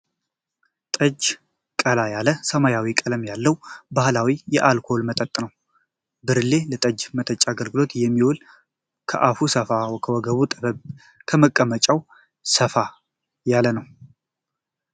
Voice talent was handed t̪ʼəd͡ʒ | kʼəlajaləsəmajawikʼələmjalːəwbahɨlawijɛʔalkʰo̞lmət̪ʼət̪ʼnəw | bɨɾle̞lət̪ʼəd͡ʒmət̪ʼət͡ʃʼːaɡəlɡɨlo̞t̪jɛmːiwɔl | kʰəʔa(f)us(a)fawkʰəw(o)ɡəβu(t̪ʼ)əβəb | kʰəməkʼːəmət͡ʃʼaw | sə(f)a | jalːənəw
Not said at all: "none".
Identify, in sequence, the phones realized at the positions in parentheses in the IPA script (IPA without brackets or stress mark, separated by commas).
f, ə, ɔ, t̪ʼ, f